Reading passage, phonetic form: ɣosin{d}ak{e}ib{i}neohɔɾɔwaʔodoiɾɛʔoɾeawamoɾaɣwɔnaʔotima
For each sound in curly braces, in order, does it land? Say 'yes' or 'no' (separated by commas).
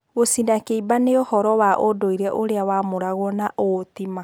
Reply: yes, yes, no